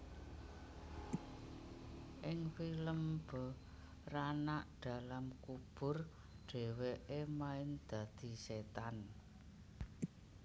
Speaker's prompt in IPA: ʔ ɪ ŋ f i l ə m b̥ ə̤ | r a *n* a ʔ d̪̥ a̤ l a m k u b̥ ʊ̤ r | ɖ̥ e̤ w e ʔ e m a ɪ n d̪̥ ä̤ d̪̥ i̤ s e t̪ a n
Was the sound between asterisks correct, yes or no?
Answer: yes